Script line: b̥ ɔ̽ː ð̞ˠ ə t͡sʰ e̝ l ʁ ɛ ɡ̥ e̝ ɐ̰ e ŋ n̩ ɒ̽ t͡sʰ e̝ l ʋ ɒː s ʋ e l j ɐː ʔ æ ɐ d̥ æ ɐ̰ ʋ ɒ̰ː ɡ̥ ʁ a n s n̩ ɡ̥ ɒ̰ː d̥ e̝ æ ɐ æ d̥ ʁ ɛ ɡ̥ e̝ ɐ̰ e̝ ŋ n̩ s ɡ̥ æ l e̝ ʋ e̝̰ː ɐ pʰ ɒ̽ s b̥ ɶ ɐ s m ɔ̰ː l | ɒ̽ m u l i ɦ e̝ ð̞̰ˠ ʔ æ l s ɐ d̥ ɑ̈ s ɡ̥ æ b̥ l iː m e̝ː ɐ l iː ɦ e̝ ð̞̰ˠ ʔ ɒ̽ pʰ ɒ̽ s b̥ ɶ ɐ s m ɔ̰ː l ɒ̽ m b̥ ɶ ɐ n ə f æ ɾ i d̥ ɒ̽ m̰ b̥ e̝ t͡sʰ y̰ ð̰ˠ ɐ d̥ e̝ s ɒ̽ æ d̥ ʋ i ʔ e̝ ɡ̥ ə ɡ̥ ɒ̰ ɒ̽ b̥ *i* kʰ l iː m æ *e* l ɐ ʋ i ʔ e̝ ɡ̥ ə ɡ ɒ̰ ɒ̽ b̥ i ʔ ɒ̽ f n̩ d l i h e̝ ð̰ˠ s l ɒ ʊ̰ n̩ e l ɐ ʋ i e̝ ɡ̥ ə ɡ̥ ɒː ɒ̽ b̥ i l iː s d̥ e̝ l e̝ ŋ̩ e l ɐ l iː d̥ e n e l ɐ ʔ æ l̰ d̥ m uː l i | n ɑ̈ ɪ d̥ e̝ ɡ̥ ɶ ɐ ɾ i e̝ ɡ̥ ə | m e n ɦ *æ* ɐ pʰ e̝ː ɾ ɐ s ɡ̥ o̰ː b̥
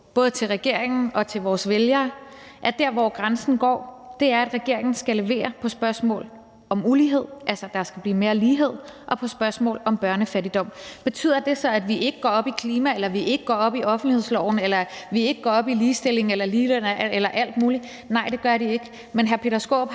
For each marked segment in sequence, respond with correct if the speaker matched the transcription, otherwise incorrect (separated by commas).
correct, correct, correct